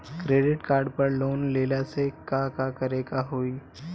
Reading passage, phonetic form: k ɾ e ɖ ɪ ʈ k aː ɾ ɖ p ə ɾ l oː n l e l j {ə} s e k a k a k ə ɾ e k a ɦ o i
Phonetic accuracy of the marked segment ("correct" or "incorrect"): incorrect